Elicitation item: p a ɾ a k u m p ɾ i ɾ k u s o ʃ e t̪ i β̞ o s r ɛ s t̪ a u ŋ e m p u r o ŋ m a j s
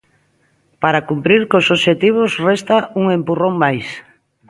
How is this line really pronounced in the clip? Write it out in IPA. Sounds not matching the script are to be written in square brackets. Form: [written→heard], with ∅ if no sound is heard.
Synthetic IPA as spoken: p a ɾ a k u m p ɾ i ɾ k [u→o] s o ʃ e t̪ i β̞ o s r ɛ s t̪ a u ŋ e m p u r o ŋ m a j s